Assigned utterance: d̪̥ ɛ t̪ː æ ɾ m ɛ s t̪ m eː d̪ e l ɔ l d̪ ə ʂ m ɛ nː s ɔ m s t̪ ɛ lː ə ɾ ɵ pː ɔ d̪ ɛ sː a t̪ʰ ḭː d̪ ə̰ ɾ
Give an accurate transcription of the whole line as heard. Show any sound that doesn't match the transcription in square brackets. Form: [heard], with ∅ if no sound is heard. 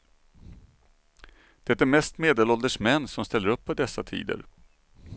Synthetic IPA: d̪̥ ɛ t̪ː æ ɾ m ɛ s t̪ m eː d̪ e l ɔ l d̪ ə ʂ m ɛ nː s ɔ m s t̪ ɛ lː ə ɾ ɵ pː ɔ d̪ ɛ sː a t̪ʰ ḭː d̪ ə̰ ɾ